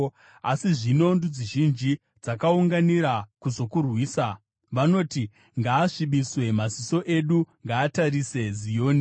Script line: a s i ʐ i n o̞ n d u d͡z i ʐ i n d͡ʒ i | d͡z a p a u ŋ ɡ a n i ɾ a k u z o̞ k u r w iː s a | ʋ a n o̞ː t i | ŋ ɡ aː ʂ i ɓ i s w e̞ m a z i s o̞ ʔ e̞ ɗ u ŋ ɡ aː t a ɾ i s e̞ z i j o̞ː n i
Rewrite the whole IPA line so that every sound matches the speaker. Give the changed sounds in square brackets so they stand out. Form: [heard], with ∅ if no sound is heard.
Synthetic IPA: a s i ʐ i n o̞ n d u d͡z i [ʒ] i n d͡ʒ i | d͡z a [k] a u ŋ ɡ a n i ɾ a k u z o̞ k u r w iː s a | ʋ a n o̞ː t i | ŋ ɡ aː ʂ i ɓ i s w e̞ m a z i s o̞ ʔ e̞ ɗ u ŋ ɡ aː t a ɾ i s e̞ z i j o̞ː n i